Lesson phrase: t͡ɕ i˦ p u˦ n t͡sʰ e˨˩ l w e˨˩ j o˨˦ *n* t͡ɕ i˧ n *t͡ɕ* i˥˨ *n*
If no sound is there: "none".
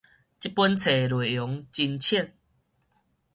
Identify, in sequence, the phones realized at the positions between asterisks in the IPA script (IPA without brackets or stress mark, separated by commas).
ŋ, t͡ɕʰ, n